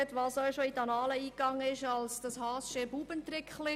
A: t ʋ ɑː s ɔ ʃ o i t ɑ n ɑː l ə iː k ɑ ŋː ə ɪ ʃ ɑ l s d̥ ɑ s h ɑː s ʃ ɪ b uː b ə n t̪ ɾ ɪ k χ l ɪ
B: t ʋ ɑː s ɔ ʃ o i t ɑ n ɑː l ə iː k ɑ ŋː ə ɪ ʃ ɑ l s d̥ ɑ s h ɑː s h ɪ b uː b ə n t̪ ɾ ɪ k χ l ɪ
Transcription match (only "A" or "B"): A